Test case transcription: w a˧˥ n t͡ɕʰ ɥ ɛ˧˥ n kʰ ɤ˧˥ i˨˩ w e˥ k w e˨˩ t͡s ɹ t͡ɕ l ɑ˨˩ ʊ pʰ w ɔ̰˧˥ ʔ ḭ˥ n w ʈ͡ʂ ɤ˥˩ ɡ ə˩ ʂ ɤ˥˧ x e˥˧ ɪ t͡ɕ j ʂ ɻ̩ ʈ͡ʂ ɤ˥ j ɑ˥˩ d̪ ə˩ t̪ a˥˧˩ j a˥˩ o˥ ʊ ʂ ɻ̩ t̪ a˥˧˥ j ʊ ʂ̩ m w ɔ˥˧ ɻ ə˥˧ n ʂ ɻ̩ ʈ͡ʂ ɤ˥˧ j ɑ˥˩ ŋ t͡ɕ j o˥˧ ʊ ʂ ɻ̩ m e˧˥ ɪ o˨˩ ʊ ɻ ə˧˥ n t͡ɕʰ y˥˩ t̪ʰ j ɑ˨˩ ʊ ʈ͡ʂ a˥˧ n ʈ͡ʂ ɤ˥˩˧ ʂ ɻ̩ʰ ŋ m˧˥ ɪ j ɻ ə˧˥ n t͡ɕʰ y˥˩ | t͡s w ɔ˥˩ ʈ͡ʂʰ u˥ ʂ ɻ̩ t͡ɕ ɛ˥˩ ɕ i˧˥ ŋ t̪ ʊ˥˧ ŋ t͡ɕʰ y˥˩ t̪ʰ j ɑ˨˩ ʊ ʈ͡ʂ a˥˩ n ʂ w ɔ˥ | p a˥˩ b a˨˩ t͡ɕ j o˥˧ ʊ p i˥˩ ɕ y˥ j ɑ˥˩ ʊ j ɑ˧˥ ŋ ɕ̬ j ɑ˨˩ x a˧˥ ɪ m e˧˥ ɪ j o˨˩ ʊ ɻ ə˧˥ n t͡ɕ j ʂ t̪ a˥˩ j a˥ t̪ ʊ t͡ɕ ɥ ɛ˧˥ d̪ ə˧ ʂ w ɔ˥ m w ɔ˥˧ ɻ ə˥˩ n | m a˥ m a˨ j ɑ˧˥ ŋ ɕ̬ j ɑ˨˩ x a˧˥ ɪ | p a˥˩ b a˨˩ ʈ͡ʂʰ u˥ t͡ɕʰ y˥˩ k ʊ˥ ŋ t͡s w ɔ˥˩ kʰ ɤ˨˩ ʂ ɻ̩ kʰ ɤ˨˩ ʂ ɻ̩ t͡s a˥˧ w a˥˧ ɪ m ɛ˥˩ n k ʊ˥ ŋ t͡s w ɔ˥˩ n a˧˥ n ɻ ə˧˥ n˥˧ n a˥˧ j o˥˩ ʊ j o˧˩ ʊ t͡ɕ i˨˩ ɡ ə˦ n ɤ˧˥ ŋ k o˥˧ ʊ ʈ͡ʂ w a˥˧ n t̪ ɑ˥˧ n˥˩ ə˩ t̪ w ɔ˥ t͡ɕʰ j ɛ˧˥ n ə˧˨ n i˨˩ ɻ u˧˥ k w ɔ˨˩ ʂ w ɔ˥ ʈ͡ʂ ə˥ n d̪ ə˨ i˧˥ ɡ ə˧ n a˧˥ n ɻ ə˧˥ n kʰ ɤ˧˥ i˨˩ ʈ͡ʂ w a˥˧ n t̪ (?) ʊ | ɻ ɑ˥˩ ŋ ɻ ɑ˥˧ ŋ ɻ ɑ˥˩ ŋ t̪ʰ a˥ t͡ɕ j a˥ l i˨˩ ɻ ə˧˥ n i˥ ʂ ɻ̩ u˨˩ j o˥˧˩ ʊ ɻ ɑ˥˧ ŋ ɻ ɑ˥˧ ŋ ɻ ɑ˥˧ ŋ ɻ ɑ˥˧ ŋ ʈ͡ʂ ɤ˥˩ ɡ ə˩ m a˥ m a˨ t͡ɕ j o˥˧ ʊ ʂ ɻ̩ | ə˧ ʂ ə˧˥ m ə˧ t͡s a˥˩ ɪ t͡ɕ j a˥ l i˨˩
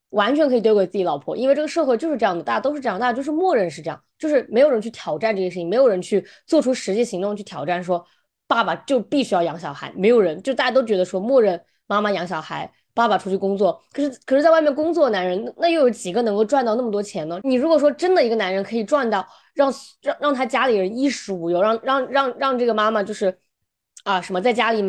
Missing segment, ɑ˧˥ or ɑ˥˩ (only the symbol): ɑ˥˩